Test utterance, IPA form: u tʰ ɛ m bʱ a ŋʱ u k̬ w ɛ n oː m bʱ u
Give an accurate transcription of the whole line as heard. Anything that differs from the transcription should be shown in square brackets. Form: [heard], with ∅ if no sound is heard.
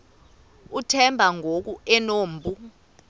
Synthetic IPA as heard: u tʰ ɛ m bʱ a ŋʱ [o] k̬ [u] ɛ n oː m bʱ u